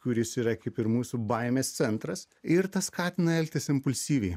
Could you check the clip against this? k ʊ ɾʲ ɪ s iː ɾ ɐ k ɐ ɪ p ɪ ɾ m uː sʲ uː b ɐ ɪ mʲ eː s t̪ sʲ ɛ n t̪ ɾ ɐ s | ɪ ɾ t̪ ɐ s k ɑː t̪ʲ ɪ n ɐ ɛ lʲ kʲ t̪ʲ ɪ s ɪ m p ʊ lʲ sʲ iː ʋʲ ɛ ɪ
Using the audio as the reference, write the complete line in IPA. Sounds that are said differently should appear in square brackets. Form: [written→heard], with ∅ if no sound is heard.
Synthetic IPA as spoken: k ʊ ɾʲ ɪ s iː ɾ ɐ k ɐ ɪ p ɪ ɾ m uː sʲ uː b ɐ ɪ mʲ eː s t̪ sʲ ɛ n t̪ ɾ ɐ s | ɪ ɾ t̪ ɐ s k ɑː t̪ʲ ɪ n ɐ ɛ lʲ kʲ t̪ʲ ɪ s ɪ m p ʊ lʲ sʲ iː ʋʲ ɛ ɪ